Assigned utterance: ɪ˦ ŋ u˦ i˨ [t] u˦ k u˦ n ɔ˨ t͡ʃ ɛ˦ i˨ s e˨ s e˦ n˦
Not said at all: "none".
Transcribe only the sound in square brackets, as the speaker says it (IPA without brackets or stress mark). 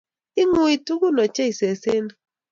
t